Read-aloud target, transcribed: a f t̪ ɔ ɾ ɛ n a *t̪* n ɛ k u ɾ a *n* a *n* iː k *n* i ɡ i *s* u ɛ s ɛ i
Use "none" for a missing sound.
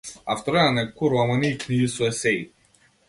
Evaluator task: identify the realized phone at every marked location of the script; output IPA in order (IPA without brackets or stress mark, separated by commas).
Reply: none, m, n, n, s